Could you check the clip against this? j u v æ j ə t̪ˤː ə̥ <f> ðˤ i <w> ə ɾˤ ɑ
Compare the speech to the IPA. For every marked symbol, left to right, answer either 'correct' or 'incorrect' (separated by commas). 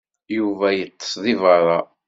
incorrect, incorrect